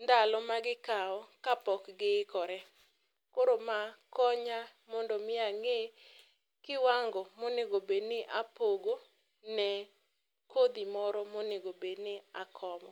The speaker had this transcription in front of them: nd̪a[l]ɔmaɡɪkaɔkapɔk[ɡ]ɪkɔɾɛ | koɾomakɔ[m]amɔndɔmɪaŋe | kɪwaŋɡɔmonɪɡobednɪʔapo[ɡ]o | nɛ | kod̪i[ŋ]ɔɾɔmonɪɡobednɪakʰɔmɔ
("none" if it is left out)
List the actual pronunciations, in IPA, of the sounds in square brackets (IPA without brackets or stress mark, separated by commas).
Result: l, ɡ, ɲ, ɡ, m